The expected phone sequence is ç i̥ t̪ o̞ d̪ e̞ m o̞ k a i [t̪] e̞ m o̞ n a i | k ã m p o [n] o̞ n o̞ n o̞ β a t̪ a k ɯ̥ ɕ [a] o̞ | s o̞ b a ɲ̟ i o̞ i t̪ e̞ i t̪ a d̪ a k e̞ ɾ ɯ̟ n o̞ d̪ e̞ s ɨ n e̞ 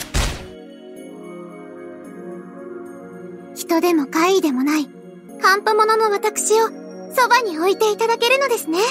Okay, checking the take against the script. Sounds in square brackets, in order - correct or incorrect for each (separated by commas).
incorrect, incorrect, incorrect